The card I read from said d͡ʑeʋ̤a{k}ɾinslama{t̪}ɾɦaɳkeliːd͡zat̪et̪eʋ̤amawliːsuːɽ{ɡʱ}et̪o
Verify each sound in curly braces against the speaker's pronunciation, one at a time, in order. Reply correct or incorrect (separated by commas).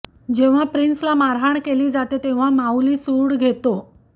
incorrect, incorrect, correct